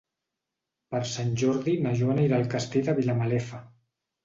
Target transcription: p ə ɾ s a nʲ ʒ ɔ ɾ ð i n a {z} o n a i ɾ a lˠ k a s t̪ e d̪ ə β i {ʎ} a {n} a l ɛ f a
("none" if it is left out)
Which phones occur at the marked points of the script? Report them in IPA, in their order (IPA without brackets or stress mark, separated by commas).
ʒ, l, m